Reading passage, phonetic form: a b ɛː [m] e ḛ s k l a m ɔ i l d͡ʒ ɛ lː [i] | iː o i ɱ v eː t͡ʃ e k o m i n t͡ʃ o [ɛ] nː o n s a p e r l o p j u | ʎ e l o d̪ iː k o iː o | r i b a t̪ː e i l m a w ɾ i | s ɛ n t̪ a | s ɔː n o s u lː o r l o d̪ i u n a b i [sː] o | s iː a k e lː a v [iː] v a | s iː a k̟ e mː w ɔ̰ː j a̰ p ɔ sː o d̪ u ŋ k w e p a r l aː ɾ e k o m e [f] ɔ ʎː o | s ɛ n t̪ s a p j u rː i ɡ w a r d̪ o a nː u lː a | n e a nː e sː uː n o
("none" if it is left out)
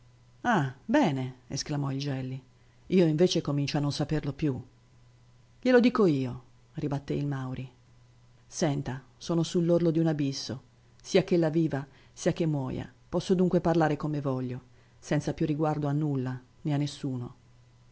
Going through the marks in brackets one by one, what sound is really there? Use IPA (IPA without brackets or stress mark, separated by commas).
n, i, a, sː, iː, v